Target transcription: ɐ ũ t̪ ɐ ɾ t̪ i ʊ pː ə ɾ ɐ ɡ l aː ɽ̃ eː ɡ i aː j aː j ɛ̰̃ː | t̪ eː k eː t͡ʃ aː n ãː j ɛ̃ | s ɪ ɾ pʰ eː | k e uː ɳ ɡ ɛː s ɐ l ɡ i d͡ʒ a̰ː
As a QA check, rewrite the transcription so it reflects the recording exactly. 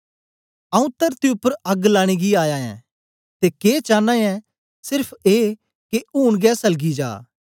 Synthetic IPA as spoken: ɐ ũ t̪ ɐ ɾ t̪ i ʊ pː ə ɾ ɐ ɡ l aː ɽ̃ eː ɡ i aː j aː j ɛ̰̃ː | t̪ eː k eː t͡ʃ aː n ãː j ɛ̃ | s ɪ ɾ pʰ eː | k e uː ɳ ɡ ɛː s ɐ l ɡ i d͡ʒ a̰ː